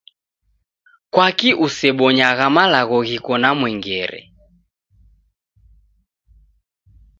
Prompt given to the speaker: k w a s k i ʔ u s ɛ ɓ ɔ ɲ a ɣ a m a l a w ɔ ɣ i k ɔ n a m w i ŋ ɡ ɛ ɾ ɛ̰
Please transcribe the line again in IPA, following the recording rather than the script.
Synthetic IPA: k w a k i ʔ u s ɛ ɓ ɔ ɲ a ɣ a m a l a ɣ ɔ ɣ i k ɔ n a m w ɛ ŋ ɡ ɛ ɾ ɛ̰